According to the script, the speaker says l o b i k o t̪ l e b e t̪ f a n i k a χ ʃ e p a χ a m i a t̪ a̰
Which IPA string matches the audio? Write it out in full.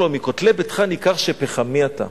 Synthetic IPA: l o m i k o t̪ l e b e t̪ χ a n i k a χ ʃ e p e χ a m i a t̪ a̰

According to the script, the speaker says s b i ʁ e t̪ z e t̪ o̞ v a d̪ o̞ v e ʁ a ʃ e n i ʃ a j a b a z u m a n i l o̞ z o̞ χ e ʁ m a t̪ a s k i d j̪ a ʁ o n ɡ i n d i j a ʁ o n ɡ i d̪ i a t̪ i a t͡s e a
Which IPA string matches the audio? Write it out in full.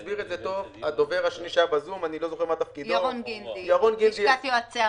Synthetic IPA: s b i ʁ e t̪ z e t̪ o̞ v a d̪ o̞ v e ʁ a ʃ e n i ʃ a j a b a z u m a n i l o̞ z o̞ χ e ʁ m a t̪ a f k i d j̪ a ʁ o n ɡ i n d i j a ʁ o n ɡ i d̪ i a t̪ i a t͡s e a

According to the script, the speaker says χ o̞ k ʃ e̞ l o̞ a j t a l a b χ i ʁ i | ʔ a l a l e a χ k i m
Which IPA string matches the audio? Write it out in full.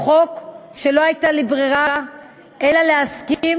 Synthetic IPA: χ o̞ k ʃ e̞ l o̞ a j t a l i b ʁ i ʁ a | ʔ e l a l e a s k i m

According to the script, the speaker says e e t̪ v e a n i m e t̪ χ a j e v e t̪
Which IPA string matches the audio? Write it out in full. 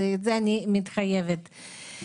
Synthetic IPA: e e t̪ z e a n i m i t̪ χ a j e v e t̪

